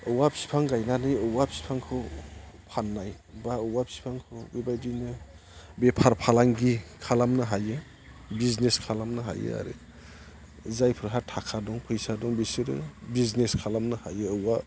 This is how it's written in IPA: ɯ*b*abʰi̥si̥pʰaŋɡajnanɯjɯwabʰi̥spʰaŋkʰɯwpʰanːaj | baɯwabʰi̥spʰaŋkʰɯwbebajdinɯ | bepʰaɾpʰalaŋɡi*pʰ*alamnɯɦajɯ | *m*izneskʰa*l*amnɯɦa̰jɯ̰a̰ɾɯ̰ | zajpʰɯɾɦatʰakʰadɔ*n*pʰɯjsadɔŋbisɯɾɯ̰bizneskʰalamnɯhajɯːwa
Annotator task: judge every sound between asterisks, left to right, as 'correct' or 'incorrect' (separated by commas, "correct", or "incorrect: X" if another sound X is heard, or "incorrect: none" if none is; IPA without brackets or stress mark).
incorrect: w, incorrect: kʰ, incorrect: b, correct, incorrect: ŋ